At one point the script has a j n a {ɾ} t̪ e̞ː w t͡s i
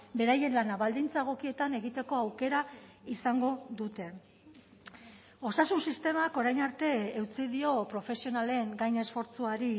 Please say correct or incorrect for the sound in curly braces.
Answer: correct